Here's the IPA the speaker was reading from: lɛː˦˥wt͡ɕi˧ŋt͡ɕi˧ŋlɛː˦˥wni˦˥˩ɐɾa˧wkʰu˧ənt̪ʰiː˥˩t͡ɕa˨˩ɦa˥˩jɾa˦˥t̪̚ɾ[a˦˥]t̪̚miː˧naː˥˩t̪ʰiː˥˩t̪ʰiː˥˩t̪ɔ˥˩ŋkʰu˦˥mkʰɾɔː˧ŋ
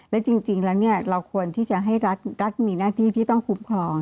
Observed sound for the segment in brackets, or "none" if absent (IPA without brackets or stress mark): a˦˥